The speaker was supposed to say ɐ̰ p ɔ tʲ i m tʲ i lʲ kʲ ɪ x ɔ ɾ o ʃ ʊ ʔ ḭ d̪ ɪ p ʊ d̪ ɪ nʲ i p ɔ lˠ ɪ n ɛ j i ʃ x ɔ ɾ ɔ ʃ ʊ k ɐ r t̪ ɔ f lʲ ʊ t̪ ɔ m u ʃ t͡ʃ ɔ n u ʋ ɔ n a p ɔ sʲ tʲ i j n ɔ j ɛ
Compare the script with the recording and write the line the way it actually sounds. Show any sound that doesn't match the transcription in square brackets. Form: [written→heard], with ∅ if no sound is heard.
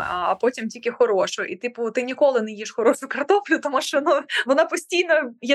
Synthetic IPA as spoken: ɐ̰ p ɔ tʲ i m tʲ i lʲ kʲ ɪ x ɔ ɾ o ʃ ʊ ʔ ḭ [d̪→t̪] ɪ p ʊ [d̪→t̪] ɪ nʲ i [p→k] ɔ lˠ ɪ n ɛ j i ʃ x ɔ ɾ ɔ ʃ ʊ k ɐ r t̪ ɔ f lʲ ʊ t̪ ɔ m u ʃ t͡ʃ ɔ n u ʋ ɔ n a p ɔ sʲ tʲ i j n ɔ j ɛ